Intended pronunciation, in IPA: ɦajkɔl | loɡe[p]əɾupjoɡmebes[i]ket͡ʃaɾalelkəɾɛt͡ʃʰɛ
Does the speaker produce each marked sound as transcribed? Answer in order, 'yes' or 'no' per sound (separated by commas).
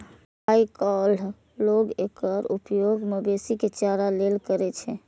no, yes